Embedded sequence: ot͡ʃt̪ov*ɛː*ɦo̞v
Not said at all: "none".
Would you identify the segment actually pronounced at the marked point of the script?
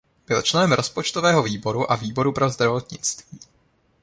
ɛː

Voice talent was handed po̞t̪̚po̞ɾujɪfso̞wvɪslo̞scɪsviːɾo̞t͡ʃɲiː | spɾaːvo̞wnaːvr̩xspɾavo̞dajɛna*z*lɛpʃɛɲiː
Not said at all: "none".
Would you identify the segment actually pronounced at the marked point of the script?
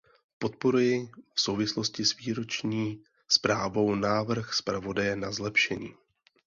z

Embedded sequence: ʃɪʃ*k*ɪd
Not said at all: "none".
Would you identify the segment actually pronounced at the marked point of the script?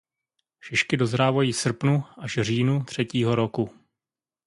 k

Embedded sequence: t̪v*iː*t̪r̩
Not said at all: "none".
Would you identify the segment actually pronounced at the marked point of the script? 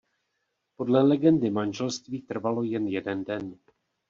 iː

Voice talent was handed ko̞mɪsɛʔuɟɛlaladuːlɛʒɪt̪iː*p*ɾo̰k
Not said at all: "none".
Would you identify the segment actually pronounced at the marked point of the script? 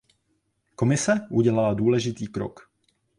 k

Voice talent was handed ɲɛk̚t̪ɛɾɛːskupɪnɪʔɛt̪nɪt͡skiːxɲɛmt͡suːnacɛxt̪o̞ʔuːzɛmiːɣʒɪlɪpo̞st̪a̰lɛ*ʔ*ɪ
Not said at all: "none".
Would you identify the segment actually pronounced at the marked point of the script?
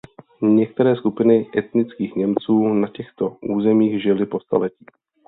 c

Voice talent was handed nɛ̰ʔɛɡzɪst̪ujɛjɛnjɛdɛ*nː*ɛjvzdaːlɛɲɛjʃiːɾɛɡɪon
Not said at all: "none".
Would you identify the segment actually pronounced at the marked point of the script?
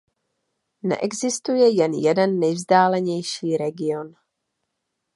nː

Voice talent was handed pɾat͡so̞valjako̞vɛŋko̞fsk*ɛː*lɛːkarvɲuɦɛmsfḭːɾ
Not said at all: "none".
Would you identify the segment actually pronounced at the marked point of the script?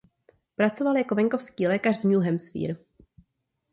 iː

